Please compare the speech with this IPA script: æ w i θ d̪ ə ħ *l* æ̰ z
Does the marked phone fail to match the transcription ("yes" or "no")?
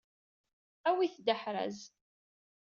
yes